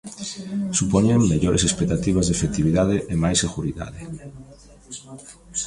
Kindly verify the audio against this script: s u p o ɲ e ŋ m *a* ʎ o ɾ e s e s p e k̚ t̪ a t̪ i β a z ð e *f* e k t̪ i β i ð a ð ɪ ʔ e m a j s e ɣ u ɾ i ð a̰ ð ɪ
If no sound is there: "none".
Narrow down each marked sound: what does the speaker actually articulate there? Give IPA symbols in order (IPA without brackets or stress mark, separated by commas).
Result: e, f